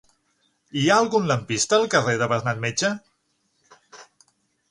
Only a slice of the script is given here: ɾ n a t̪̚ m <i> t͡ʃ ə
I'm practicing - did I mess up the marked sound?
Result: yes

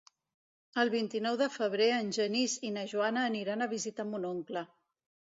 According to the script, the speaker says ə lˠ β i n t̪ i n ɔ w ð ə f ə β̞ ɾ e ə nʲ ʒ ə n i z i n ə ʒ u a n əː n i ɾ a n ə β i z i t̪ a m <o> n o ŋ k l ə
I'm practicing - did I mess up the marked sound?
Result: yes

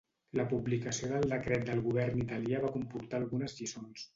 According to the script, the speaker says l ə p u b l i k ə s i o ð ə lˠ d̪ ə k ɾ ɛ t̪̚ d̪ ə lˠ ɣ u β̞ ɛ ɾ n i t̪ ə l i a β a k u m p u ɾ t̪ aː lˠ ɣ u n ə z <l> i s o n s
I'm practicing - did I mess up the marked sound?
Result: yes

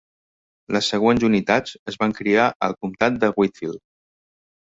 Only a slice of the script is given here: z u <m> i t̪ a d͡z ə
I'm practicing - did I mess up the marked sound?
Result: yes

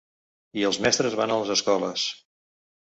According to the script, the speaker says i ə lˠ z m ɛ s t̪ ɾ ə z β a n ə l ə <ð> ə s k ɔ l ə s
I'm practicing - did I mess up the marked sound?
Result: yes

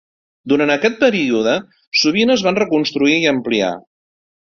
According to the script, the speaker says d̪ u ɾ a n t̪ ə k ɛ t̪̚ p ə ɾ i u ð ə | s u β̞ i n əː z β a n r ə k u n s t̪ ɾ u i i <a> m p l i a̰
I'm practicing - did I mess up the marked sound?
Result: yes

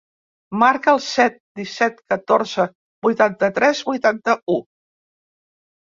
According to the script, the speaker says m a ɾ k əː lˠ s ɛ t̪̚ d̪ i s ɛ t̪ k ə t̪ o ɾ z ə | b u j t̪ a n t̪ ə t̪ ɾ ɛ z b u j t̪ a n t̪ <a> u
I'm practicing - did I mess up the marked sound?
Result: yes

